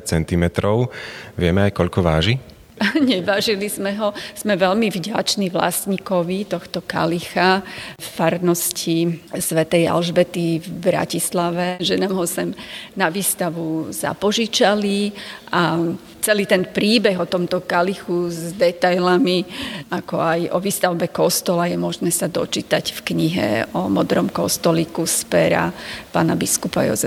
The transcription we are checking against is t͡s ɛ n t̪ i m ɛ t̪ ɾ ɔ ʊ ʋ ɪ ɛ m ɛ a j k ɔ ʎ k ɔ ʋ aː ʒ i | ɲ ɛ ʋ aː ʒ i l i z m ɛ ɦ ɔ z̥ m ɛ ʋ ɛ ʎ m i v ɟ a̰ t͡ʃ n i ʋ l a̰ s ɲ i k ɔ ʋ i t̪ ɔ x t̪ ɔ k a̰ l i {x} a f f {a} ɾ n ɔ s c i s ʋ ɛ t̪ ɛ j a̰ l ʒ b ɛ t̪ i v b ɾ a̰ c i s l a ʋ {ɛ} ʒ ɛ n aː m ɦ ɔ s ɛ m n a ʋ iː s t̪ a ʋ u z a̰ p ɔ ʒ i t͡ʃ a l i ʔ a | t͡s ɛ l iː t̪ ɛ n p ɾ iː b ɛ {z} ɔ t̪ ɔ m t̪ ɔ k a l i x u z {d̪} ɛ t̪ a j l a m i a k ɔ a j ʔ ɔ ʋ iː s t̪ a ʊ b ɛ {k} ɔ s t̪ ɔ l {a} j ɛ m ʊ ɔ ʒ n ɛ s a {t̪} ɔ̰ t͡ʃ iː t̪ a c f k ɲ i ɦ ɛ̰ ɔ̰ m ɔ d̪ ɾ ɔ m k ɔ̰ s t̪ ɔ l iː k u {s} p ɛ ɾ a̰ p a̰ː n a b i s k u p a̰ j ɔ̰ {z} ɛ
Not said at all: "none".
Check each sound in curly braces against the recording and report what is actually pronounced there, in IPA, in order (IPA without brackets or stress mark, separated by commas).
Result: x, a, ɛ, ɣ, d̪, k, a, d̪, s, z